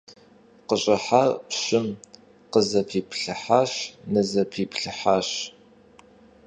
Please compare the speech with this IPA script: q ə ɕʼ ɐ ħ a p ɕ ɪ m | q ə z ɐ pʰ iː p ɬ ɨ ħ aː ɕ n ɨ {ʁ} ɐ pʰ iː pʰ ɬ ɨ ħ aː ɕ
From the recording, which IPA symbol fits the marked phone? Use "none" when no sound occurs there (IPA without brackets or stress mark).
z